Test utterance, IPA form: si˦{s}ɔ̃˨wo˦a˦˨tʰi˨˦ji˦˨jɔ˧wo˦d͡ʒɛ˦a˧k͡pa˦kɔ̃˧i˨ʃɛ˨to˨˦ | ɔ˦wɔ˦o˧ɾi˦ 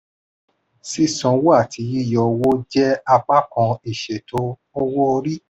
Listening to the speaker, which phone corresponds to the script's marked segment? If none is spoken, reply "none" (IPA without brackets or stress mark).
s